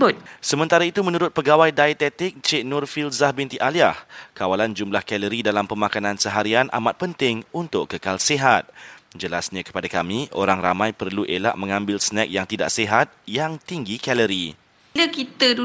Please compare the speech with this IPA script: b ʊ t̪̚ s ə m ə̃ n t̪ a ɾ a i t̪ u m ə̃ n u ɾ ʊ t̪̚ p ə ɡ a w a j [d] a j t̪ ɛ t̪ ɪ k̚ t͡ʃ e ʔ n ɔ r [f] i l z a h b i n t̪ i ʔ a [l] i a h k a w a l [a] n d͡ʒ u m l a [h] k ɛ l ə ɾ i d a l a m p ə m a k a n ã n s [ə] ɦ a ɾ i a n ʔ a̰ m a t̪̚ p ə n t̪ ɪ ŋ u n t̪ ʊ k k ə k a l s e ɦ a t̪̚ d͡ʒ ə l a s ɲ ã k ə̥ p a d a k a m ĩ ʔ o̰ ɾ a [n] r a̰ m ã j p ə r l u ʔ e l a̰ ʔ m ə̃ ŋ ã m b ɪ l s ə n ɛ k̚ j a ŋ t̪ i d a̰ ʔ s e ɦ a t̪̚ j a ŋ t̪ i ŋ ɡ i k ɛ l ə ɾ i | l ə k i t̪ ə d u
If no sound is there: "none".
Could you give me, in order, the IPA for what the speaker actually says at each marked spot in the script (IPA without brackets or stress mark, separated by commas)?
d, f, l, a, h, ə, ŋ